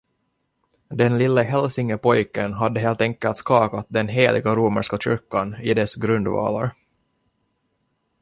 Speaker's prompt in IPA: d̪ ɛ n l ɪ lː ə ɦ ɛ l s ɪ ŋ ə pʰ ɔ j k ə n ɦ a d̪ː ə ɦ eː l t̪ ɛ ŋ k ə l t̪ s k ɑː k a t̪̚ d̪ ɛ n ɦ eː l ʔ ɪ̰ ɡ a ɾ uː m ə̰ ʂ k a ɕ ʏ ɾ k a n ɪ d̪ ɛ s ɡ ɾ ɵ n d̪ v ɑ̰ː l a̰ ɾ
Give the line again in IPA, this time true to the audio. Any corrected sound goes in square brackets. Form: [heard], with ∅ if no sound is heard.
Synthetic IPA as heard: d̪ ɛ n l ɪ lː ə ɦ ɛ l s ɪ ŋ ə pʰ ɔ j k ə n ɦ a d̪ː ə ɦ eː l t̪ ɛ ŋ k ə l t̪ s k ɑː k a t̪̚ d̪ ɛ n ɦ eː l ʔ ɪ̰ ɡ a ɾ uː m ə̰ ʂ k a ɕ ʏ ɾ k a n ɪ d̪ ɛ s ɡ ɾ ɵ n d̪ v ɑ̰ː l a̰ ɾ